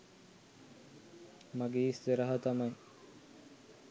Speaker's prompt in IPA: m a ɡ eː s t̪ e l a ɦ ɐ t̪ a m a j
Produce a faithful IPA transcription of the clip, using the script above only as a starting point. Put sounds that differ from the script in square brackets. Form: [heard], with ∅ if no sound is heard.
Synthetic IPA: m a ɡ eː s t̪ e [ɾ] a ɦ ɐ t̪ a m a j